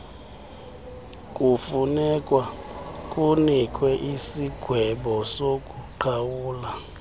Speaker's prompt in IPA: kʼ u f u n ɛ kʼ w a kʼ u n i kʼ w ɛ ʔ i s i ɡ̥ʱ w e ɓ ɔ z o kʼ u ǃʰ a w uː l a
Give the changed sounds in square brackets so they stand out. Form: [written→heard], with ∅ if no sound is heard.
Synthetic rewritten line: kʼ u f u n ɛ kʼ w a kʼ u n i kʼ w ɛ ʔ i s i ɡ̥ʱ w [e→ɛ] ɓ ɔ [z→s] o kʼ u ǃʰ a w uː l a

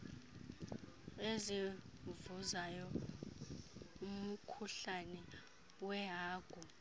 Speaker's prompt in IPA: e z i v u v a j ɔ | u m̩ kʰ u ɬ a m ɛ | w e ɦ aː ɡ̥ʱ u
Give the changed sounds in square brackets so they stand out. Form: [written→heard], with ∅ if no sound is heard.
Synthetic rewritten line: e z i v u [v→z] a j ɔ | u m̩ kʰ u ɬ a [m→n] ɛ | w [e→ɛ] ɦ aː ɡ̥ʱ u

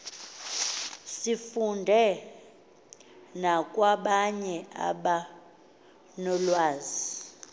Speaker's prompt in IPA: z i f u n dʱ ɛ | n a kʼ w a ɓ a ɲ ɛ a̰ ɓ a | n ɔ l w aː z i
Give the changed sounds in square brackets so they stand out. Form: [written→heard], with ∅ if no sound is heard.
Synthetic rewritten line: [z→s] i f u n dʱ ɛ | n a kʼ w a ɓ a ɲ ɛ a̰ ɓ a | n ɔ l w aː z i

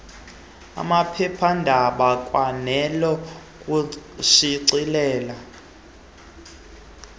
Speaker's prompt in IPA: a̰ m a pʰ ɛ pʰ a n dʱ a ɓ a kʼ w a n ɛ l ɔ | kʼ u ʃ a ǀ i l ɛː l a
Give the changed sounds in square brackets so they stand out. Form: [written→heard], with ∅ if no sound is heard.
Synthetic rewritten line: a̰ m a pʰ ɛ pʰ a n dʱ a ɓ a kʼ w a n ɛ l ɔ | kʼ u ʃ [a→i] ǀ i l ɛː l a

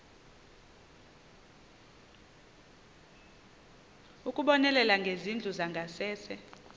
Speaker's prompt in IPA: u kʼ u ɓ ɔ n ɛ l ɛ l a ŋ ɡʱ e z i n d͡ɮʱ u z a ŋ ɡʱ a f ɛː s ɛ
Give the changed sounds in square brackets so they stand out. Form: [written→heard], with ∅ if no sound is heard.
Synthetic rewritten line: u kʼ u ɓ ɔ n ɛ l ɛ l a ŋ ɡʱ e z i n d͡ɮʱ u z a ŋ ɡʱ a [f→s] ɛː s ɛ

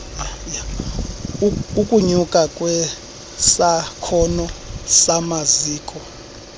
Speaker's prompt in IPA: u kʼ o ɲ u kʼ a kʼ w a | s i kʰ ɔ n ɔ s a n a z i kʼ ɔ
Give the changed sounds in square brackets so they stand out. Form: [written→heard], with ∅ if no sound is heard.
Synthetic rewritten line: u kʼ [o→u] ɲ u kʼ a kʼ w [a→ɛ] | s [i→a] kʰ ɔ n ɔ s a [n→m] a z [i→iː] kʼ ɔ

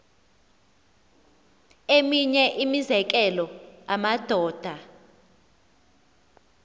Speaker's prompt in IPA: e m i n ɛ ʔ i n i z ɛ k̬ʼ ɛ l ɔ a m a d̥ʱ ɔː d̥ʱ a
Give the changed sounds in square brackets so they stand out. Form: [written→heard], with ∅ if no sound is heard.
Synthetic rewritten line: e m i [n→ɲ] ɛ ʔ i [n→m] i z ɛ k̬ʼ ɛ l ɔ a m a d̥ʱ ɔː d̥ʱ a

